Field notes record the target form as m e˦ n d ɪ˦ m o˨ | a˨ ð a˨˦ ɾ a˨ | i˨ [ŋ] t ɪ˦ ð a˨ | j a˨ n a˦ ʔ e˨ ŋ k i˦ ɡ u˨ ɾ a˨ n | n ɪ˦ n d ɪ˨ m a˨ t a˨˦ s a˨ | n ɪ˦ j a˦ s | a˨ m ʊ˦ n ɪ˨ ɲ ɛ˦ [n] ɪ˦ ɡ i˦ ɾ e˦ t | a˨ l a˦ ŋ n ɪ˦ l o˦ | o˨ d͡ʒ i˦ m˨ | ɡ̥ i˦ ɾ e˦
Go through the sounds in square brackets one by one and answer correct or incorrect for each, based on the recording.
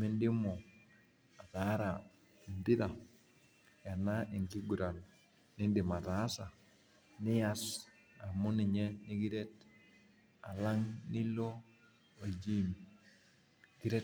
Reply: incorrect: n, correct

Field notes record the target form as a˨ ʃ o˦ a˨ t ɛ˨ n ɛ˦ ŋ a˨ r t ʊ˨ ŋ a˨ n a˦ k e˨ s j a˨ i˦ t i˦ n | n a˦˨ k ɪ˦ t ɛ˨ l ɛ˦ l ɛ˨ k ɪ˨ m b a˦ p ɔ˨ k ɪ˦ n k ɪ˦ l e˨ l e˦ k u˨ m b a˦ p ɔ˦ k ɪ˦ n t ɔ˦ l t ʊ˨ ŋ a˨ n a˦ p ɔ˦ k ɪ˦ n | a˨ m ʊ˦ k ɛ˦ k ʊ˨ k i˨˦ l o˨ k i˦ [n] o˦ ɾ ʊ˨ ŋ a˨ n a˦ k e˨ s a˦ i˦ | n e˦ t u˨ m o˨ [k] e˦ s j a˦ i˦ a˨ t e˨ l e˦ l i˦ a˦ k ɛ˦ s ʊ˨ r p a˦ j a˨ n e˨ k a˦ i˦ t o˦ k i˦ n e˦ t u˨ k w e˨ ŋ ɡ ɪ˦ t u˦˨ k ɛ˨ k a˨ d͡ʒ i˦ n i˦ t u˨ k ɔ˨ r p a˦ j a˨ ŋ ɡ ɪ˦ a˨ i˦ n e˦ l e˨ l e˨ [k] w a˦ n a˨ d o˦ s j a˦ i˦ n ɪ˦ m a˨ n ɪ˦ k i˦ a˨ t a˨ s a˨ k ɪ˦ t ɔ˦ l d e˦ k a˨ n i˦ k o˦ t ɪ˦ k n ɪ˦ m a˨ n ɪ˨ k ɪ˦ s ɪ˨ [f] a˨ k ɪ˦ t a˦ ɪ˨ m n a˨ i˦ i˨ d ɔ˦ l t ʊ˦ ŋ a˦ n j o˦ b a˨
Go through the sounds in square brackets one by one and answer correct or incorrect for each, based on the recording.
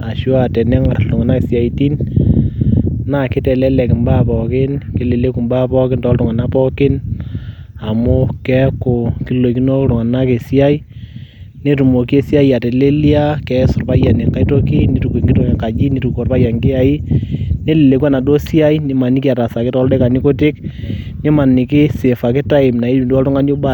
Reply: correct, correct, correct, correct

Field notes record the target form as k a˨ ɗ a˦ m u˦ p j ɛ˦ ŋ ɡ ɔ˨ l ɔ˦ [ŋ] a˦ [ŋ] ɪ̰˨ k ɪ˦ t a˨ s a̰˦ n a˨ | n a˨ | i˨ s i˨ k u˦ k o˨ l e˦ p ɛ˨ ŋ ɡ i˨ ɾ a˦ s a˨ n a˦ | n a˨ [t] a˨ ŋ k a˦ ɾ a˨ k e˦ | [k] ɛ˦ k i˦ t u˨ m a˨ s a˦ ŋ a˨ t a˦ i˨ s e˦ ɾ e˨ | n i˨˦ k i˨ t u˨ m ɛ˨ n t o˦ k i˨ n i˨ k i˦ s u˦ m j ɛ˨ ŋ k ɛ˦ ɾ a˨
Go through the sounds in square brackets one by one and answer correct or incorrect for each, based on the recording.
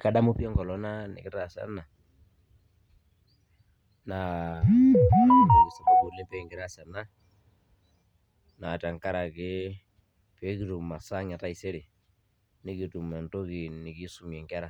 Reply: incorrect: n, incorrect: n, correct, incorrect: p

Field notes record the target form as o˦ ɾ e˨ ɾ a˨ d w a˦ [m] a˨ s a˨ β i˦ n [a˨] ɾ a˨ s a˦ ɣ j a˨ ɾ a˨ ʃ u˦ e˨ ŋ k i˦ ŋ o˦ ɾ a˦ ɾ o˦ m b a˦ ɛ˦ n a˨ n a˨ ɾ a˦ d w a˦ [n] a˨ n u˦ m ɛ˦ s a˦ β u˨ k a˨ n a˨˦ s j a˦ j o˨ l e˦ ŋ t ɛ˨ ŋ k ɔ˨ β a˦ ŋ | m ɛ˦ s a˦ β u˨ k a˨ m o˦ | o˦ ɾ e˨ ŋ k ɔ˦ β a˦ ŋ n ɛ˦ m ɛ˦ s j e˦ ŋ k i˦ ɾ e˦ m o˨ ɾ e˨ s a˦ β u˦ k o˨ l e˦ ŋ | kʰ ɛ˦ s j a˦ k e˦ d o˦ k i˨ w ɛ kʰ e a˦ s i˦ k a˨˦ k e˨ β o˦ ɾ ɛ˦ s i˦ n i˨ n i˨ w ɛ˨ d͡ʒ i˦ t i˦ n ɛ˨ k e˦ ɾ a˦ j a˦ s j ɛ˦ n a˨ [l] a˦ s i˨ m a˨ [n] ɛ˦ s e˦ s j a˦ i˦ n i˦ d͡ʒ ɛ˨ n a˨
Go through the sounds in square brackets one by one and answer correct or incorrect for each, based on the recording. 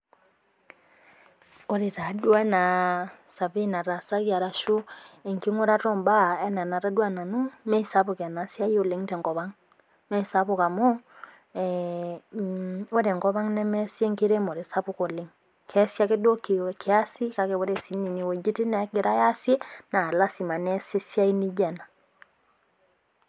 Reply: incorrect: n, correct, correct, correct, correct

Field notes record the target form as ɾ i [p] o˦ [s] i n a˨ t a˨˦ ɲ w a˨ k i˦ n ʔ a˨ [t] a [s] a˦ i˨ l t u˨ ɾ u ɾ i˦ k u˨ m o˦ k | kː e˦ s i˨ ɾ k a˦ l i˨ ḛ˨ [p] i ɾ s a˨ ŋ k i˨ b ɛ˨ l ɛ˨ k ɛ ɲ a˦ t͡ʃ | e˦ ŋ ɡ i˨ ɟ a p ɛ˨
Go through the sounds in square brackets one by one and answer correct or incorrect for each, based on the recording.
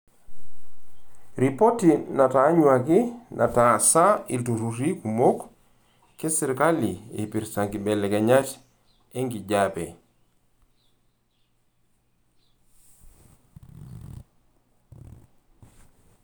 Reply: correct, incorrect: t, correct, correct, correct

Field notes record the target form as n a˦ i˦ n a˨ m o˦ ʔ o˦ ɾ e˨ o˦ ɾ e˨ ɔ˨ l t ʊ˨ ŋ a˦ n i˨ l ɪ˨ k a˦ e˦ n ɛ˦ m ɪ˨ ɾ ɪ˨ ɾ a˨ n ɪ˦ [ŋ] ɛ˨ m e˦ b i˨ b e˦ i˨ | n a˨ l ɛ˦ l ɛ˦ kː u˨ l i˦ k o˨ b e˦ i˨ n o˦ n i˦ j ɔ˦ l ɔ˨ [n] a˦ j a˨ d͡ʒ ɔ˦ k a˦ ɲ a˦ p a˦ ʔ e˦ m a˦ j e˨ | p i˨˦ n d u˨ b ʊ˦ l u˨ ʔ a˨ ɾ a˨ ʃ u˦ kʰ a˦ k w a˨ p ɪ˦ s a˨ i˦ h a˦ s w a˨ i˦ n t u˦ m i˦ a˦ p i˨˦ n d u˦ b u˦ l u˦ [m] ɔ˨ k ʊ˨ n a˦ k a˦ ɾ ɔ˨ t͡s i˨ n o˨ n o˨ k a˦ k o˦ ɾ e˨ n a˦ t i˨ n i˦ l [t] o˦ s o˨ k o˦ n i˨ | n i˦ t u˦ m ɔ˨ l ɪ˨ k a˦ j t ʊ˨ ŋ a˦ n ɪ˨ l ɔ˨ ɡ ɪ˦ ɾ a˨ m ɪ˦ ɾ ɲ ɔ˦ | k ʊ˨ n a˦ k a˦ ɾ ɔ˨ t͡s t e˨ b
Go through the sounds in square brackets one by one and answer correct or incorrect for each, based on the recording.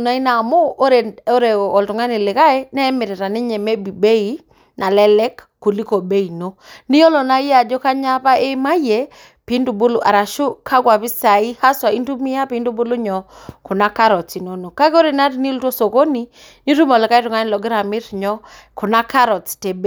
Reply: incorrect: ɲ, correct, incorrect: ɲ, correct

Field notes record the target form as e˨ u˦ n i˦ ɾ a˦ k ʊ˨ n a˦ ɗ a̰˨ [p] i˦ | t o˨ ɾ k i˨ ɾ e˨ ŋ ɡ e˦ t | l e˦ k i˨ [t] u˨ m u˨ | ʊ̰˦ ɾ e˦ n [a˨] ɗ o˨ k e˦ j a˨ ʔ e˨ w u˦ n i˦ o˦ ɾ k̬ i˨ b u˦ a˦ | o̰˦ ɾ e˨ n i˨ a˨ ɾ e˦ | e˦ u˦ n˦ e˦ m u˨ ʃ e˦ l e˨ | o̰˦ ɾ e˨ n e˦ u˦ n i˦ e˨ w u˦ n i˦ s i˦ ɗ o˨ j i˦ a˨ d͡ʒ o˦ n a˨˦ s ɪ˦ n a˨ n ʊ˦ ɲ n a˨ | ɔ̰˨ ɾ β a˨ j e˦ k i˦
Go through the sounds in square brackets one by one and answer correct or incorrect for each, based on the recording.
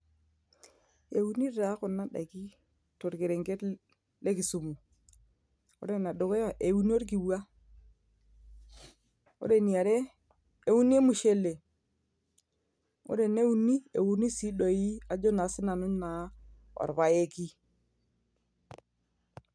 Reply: incorrect: k, incorrect: s, correct

